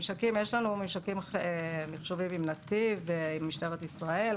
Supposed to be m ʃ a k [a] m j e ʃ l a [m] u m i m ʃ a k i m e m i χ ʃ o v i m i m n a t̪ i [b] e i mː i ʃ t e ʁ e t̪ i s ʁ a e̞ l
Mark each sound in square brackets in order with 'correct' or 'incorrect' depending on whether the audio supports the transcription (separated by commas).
incorrect, incorrect, incorrect